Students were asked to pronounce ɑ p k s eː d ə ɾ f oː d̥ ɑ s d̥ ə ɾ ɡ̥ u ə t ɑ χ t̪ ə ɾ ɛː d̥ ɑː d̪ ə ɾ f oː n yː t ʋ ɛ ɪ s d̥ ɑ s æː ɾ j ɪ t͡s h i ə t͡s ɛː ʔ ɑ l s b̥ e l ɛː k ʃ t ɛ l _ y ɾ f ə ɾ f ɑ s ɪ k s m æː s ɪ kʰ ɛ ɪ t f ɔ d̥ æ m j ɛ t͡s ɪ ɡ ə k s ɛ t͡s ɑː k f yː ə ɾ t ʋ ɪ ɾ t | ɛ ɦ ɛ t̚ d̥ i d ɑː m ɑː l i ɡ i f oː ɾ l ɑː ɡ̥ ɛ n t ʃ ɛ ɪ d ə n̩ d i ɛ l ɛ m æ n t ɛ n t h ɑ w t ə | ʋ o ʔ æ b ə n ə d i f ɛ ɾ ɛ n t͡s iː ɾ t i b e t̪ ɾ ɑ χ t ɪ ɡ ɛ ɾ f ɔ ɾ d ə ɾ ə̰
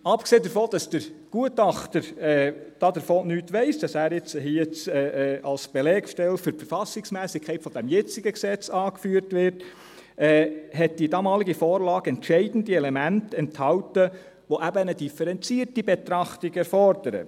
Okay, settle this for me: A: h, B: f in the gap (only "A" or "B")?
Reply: B